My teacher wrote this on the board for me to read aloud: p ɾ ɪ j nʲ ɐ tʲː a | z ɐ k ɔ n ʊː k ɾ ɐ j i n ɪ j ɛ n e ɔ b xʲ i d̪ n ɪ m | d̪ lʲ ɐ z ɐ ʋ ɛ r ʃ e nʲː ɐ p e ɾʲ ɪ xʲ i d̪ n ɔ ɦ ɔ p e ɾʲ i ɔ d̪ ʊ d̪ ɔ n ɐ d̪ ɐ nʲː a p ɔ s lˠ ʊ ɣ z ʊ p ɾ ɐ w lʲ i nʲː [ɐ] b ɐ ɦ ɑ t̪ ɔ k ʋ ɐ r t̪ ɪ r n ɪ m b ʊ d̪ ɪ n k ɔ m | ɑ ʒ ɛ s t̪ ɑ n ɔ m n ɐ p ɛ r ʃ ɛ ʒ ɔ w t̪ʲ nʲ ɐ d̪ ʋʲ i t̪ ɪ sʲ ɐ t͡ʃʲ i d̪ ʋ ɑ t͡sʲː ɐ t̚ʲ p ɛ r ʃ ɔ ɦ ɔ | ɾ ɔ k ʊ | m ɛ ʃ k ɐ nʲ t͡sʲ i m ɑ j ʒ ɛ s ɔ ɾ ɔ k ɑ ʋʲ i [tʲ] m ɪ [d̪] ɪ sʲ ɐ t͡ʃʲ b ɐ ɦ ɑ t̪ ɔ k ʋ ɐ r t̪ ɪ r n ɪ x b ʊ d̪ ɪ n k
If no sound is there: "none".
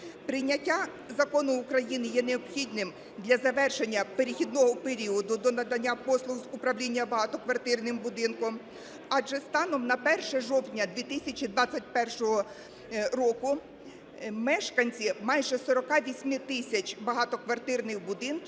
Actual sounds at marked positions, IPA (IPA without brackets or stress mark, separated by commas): ɐ, sʲ, t̪